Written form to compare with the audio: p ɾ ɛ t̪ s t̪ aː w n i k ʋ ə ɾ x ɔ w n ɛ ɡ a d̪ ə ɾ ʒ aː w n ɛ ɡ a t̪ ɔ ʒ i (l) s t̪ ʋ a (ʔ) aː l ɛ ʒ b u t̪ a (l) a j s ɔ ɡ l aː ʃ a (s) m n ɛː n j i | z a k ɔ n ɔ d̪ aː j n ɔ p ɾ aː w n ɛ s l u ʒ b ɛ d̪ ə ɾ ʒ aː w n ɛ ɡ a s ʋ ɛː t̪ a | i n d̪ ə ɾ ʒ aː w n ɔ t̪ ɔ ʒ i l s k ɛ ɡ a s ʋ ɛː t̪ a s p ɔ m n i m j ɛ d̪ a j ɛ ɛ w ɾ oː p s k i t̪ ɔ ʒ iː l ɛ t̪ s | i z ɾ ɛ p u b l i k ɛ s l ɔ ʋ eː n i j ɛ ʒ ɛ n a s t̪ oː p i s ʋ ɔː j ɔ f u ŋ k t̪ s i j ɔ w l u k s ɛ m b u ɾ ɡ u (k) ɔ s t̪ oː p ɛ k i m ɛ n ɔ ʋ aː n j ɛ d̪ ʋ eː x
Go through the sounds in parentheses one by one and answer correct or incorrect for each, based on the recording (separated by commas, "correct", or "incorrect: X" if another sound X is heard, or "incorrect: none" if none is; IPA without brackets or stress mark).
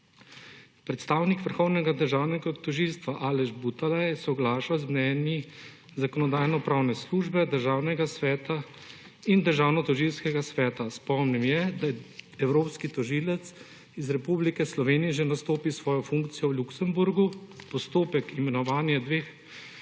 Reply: correct, correct, correct, incorrect: z, incorrect: p